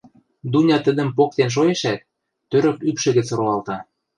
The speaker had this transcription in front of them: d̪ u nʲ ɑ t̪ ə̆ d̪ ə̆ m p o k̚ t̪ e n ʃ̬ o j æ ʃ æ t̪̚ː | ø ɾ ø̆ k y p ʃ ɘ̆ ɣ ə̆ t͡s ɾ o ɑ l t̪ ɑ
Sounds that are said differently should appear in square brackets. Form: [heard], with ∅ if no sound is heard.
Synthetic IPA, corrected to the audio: d̪ u nʲ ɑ t̪ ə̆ d̪ ə̆ m p o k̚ t̪ e n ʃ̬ o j [e] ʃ æ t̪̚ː | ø ɾ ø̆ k y p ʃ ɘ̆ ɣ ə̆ t͡s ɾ o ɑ l t̪ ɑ